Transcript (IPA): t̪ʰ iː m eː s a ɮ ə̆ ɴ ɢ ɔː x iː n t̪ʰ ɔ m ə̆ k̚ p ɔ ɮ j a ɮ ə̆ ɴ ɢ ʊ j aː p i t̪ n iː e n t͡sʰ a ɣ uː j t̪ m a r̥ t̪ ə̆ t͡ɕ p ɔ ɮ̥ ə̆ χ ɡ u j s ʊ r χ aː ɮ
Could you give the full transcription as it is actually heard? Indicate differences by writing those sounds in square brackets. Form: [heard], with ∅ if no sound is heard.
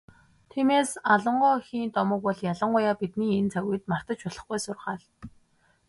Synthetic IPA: t̪ʰ iː m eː s a ɮ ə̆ ɴ ɢ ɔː x iː n [t̪] ɔ m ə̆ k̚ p ɔ ɮ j a ɮ ə̆ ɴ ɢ ʊ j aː p i t̪ n iː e n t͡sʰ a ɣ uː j t̪ m a r̥ t̪ ə̆ t͡ɕ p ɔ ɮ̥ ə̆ χ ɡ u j s ʊ r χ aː ɮ